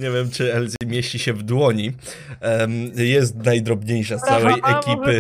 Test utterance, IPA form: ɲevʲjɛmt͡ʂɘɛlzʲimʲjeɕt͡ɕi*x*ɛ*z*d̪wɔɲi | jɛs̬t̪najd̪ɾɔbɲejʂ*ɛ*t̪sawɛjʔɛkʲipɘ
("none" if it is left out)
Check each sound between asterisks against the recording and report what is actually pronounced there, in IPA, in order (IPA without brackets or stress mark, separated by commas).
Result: ɕ, v, a